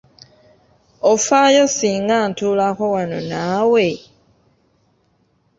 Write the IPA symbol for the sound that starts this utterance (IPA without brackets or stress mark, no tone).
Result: o